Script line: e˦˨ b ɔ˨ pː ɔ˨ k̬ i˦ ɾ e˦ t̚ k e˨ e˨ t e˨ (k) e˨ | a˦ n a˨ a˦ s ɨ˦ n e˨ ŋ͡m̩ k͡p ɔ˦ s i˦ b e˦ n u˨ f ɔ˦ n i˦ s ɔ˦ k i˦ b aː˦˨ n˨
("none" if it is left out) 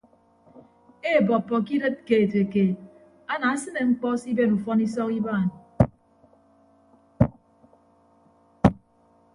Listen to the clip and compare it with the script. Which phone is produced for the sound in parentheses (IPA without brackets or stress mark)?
k